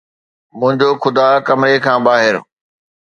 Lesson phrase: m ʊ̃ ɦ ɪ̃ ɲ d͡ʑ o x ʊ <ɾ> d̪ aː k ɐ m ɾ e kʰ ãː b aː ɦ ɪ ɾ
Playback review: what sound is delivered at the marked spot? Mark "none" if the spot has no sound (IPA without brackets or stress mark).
none